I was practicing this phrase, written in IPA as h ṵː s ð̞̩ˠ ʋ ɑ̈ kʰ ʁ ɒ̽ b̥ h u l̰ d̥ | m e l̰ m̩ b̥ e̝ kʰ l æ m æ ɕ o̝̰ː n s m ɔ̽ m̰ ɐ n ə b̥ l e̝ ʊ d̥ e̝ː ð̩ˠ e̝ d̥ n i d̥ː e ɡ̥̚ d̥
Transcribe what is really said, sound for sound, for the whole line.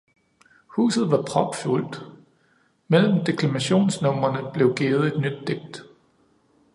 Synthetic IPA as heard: h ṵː s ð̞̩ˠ ʋ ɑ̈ pʰ ʁ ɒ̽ b̥ f u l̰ d̥ | m e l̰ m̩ d̥ e̝ kʰ l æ m æ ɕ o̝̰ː n s n ɔ̽ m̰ ɐ n ə b̥ l e̝ ʊ ɡ̥ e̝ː ð̩ˠ e̝ d̥ n y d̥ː e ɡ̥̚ d̥